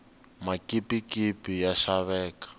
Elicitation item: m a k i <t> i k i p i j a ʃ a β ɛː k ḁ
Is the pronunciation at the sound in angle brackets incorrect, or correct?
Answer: incorrect